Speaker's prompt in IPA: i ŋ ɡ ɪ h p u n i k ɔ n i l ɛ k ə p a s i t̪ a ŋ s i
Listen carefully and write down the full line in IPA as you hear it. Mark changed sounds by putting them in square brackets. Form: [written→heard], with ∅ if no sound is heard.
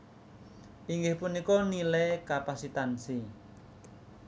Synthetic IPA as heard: i ŋ ɡ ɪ h p u n i k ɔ n i l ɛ k [ə→a] p a s i t̪ a [ŋ→n] s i